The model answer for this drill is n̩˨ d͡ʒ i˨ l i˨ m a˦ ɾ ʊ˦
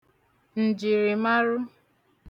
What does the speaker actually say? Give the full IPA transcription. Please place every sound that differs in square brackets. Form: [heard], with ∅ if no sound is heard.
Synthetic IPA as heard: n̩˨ d͡ʒ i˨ [ɾ] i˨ m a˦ ɾ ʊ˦